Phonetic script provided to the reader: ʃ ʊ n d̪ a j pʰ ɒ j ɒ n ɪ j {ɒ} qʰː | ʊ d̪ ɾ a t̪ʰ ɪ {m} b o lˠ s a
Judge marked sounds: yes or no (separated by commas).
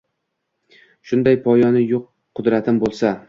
no, yes